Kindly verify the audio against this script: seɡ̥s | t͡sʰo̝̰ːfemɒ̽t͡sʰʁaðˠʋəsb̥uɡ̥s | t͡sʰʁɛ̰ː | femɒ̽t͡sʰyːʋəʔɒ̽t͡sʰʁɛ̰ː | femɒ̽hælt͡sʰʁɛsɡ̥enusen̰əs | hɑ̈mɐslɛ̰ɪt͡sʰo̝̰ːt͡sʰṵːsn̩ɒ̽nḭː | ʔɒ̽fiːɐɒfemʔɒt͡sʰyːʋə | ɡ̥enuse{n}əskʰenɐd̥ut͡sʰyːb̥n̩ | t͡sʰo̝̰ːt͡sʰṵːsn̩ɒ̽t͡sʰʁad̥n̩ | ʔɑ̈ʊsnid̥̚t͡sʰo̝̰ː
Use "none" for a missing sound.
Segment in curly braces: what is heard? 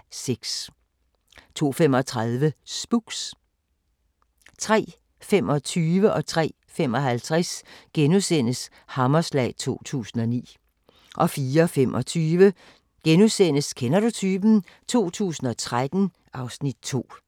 n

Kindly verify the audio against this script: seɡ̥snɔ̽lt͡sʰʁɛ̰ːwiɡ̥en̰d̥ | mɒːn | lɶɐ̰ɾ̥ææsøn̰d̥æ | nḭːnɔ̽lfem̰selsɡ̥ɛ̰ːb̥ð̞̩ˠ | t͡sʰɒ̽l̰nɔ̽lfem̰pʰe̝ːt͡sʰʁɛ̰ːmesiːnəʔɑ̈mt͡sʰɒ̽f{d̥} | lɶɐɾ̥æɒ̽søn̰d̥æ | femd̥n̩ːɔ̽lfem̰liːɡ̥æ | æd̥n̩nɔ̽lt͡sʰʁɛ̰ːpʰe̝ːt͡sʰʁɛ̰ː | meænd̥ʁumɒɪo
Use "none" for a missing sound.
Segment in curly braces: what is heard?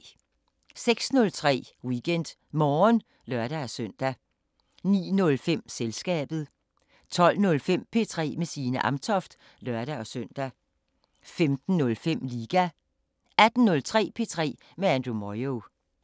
d̥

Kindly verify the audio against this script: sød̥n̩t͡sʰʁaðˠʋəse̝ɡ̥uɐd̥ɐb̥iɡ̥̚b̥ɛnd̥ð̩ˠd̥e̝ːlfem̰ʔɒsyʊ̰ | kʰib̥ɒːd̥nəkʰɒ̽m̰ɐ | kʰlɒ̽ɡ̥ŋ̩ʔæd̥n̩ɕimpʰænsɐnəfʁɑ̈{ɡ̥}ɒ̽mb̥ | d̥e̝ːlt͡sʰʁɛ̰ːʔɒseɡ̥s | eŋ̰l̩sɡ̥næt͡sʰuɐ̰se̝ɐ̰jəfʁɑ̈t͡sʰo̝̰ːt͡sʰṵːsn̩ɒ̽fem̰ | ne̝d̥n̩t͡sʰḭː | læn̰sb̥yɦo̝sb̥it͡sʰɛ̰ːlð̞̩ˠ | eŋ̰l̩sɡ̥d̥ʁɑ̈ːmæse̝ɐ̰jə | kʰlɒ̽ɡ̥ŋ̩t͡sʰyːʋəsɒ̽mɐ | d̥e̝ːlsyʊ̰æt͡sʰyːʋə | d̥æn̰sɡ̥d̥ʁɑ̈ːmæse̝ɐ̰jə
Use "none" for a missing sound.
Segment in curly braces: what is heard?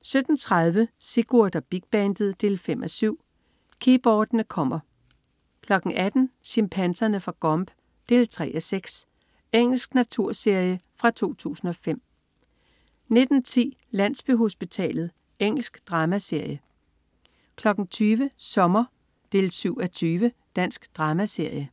ɡ̥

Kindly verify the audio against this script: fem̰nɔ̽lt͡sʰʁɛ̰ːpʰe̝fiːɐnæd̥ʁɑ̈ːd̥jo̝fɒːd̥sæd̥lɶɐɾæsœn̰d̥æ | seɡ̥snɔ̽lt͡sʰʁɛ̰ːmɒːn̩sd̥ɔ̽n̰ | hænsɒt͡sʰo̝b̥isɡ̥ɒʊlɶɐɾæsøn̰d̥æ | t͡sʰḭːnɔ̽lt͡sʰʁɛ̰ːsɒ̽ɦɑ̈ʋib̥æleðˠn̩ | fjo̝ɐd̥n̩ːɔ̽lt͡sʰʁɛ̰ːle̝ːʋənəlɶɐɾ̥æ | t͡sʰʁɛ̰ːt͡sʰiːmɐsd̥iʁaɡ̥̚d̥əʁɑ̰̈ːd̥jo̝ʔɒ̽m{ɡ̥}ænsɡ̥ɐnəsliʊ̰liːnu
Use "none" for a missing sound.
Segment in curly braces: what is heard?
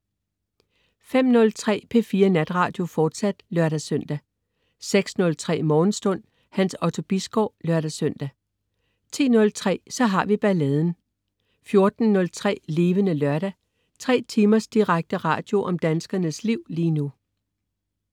d̥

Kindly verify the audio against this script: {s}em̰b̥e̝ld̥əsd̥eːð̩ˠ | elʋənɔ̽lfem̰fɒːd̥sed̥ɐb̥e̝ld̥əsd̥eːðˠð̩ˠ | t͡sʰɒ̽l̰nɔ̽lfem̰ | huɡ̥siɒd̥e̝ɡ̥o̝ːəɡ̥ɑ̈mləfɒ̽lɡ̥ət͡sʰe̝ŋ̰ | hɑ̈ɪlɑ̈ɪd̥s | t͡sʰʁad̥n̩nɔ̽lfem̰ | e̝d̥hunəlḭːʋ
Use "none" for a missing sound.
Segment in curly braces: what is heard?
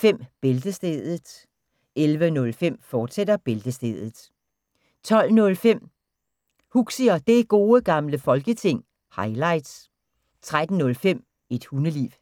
f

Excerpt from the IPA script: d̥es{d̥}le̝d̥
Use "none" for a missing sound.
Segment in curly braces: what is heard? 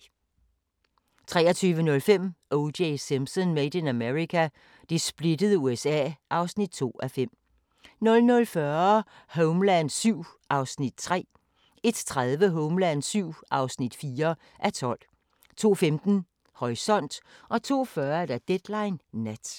b̥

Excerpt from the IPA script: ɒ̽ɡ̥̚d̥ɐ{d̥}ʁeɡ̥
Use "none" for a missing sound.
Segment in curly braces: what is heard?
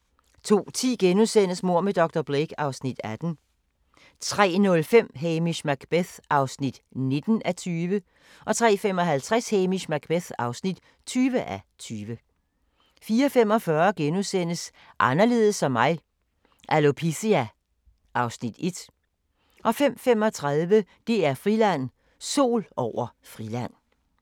b̥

